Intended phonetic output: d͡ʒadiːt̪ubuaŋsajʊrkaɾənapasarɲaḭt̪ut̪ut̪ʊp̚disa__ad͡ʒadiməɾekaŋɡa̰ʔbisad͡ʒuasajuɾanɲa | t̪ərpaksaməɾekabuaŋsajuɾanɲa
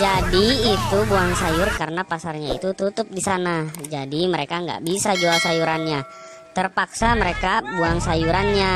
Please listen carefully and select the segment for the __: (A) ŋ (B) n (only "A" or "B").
B